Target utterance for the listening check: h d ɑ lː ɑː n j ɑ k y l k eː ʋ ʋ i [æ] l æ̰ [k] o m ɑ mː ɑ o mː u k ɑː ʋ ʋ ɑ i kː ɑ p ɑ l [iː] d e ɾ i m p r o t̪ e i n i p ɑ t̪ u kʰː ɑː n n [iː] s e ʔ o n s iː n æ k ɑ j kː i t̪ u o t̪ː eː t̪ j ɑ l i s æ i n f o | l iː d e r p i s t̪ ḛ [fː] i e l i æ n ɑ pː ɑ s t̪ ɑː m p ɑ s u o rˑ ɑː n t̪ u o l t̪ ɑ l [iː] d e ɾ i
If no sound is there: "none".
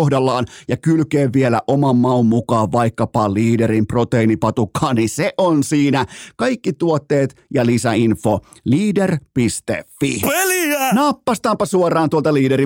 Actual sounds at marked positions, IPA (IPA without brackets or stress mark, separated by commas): e, ʔ, iː, i, fː, iː